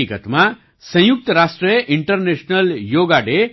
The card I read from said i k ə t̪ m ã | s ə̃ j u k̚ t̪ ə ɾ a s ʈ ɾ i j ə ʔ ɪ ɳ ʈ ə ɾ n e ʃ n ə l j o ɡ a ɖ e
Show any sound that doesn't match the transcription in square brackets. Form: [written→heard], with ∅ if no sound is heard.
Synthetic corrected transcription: i k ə t̪ m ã | s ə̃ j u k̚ t̪ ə ɾ a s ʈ ɾ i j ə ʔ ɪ ɳ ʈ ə ɾ n e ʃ n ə l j o ɡ a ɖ e